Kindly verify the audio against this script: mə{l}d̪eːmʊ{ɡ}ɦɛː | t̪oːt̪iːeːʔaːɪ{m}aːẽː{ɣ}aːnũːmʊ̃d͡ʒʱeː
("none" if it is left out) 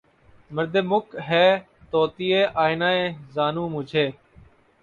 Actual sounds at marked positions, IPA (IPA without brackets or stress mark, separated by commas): ɾ, k, n, z